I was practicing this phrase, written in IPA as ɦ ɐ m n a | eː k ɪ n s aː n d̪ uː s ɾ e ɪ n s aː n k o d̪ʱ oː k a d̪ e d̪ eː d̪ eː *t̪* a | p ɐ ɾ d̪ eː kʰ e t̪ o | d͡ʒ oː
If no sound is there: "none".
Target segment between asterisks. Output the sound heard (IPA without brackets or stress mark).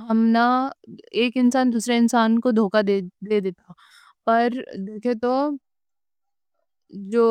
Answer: t̪